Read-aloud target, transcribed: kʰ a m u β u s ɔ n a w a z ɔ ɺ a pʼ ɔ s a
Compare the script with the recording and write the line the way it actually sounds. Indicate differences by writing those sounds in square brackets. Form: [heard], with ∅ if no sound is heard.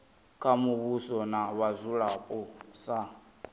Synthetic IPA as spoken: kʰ a m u β u s ɔ n a [β] a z [u] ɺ a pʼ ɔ s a